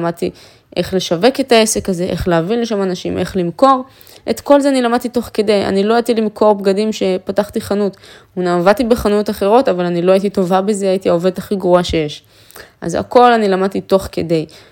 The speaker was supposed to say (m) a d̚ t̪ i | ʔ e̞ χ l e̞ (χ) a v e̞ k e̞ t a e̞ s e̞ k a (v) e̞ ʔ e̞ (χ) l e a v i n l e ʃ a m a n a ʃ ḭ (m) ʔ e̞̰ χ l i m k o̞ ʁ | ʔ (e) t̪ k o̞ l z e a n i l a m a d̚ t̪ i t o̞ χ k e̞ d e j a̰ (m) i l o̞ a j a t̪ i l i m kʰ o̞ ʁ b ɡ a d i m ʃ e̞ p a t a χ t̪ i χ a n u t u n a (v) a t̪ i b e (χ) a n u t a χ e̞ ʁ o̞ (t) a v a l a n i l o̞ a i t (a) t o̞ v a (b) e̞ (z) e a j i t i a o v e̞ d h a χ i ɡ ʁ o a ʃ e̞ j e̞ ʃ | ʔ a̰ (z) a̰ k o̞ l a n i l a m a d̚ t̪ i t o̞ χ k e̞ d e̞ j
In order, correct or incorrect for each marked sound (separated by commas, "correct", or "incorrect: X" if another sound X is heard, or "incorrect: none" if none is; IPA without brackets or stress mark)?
correct, incorrect: ʃ, incorrect: z, correct, correct, correct, incorrect: n, correct, correct, correct, incorrect: i, correct, correct, correct